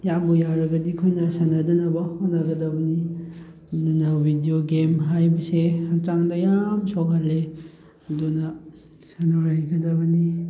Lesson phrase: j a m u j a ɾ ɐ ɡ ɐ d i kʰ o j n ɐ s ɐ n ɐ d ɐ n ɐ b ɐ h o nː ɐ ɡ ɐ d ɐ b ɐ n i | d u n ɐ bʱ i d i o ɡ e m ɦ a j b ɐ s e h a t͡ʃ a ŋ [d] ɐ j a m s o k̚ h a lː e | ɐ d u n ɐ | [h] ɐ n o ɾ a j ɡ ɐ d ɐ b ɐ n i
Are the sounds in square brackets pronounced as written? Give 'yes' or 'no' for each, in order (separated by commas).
yes, no